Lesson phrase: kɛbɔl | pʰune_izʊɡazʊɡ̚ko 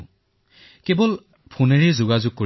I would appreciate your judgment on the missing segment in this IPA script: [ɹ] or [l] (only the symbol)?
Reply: ɹ